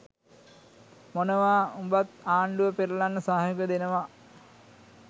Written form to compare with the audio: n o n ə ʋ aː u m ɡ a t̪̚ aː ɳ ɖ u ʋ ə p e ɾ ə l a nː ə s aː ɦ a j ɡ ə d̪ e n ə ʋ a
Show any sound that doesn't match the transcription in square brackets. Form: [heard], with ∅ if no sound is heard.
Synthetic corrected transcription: [m] o n ə ʋ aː u m [b] a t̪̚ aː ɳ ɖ u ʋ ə p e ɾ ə l a nː ə s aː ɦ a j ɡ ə d̪ e n ə ʋ a